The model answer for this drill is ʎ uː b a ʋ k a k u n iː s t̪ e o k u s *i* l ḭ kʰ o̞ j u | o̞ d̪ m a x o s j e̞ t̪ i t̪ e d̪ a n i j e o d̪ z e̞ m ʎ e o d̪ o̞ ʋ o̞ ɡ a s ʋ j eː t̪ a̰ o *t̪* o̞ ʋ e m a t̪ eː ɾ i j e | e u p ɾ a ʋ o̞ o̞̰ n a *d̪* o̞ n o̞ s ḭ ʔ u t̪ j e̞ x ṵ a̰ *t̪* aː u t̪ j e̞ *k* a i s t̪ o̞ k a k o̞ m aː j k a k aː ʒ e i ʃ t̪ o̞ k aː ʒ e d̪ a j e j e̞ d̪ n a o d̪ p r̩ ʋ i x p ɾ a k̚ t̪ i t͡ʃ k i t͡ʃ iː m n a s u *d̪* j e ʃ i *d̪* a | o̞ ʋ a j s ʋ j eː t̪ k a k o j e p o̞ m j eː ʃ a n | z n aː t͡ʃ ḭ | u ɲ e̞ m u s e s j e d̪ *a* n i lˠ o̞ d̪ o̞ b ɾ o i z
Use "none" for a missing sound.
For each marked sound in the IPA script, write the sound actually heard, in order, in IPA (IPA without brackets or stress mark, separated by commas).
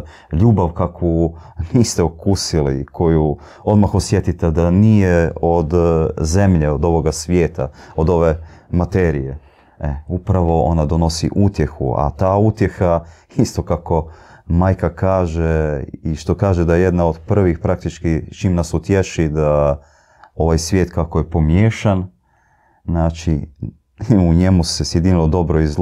i, d̪, d̪, t̪, x, t̪, d̪, i